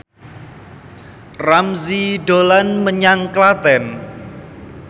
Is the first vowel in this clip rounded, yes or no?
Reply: no